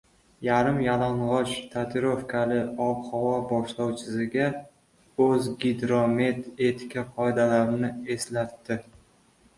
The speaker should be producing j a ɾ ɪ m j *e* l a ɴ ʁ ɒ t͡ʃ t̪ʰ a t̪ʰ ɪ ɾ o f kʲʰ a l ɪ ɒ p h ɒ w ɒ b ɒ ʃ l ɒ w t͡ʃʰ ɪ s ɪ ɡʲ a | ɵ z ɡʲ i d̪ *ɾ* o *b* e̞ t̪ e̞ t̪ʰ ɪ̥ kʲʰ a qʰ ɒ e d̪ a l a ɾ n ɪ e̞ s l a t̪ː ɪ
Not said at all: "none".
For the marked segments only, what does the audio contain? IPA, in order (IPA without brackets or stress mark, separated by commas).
a, ɾ, m